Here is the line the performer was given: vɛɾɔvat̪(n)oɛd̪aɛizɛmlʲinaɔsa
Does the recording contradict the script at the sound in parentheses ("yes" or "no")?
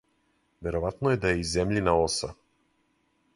no